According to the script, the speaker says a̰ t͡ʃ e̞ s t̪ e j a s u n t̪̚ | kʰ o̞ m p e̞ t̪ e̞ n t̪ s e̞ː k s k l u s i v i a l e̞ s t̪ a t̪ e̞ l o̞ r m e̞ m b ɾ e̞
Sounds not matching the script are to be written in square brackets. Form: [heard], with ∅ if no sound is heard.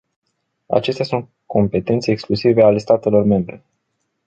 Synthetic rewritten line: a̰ t͡ʃ e̞ s t̪ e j a s u n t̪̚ | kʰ o̞ m p e̞ t̪ e̞ n t̪ s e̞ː k s k l u s i v [e] a l e̞ s t̪ a t̪ e̞ l o̞ r m e̞ m b ɾ e̞

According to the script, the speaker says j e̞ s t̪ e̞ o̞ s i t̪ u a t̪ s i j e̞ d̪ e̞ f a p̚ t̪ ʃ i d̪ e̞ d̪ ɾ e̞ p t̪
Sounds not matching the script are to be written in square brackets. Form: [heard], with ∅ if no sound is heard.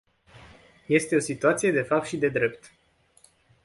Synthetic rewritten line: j e̞ s t̪ e̞ o̞ s i t̪ u a t̪ s i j e̞ d̪ e̞ f a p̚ t̪ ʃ i d̪ e̞ d̪ ɾ e̞ p t̪

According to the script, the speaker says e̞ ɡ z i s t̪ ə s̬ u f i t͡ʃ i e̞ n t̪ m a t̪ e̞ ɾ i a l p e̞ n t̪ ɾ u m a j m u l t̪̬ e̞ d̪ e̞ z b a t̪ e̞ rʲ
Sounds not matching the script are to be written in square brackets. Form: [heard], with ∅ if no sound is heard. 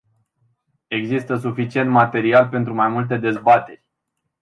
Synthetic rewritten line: e̞ ɡ z i s t̪ ə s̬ u f i t͡ʃ i e̞ n t̪ m a t̪ e̞ ɾ i a l p e̞ n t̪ ɾ u m a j m u l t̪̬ e̞ d̪ e̞ z b a t̪ e̞ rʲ

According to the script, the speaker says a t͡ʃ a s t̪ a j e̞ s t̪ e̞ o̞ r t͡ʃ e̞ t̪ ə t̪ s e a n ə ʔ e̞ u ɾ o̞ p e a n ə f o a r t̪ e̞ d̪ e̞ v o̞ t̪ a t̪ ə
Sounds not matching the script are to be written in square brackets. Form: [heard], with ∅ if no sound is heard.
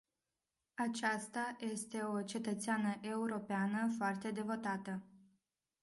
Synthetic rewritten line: a t͡ʃ a s t̪ a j e̞ s t̪ e̞ o̞ [∅] t͡ʃ e̞ t̪ ə t̪ s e a n ə ʔ e̞ u ɾ o̞ p e a n ə f o a r t̪ e̞ d̪ e̞ v o̞ t̪ a t̪ ə

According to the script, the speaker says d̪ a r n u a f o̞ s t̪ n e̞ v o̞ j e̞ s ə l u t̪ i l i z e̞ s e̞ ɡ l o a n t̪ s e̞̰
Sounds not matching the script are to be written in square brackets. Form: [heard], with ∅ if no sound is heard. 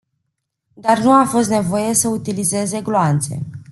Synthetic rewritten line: d̪ a r n u a f o̞ s t̪ n e̞ v o̞ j e̞ s ə [∅] u t̪ i l i z e̞ [z] e̞ ɡ l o a n t̪ s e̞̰

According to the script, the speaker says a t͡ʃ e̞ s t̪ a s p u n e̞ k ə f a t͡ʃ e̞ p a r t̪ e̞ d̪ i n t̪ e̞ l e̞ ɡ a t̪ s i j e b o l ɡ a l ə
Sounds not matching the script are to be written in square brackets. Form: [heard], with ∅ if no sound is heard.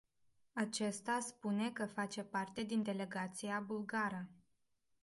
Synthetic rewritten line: a t͡ʃ e̞ s t̪ a s p u n e̞ k ə f a t͡ʃ e̞ p a r t̪ e̞ d̪ i n [d̪] e̞ l e̞ ɡ a t̪ s i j [a] b [u] l ɡ a [ɾ] ə

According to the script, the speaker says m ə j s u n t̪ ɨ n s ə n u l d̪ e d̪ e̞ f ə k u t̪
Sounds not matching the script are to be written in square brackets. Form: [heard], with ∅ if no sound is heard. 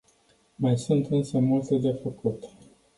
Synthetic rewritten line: m [a] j s u n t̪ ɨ n s ə [m] u l [t̪] e d̪ e̞ f ə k u t̪

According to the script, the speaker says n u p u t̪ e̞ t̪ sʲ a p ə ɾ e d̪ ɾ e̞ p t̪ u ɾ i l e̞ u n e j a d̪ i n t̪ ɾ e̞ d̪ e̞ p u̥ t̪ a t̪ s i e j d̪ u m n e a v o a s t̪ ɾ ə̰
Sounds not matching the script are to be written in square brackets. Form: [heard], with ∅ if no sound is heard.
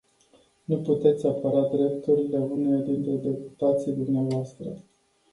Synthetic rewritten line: n u p u t̪ e̞ t̪ sʲ a p ə ɾ [a] d̪ ɾ e̞ p t̪ u ɾ i l e̞ u n e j a d̪ i n t̪ ɾ e̞ d̪ e̞ p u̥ t̪ a t̪ s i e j d̪ u m n e a v o a s t̪ ɾ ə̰

